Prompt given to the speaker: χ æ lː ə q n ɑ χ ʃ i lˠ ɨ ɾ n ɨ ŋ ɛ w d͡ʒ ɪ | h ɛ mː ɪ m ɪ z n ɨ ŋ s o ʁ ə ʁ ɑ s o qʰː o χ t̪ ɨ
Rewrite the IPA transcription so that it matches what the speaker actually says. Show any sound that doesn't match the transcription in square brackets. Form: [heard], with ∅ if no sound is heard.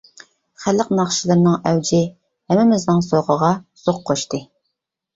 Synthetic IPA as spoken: χ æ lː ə q n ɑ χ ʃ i lˠ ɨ ɾ n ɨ ŋ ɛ w d͡ʒ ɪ | h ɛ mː ɪ m ɪ z n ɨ ŋ s o ʁ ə ʁ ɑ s o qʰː o [ʃ] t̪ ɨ